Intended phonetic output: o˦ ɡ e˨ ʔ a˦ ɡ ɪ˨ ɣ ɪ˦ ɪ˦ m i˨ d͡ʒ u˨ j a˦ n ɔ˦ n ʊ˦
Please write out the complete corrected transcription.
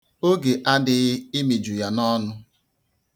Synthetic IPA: o˦ ɡ e˨ ʔ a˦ d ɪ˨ ɣ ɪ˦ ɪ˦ m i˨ d͡ʒ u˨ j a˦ n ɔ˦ n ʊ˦